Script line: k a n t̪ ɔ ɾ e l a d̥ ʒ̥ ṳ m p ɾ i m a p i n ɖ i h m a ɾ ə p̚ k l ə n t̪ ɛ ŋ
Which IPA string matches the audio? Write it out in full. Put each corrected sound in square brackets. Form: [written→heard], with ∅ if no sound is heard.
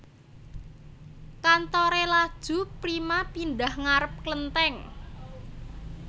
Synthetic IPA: k a n t̪ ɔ ɾ e l a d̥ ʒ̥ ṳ [m→∅] p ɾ i m a p i n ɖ [i→a] h [m→ŋ] a ɾ ə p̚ k l ə n t̪ ɛ ŋ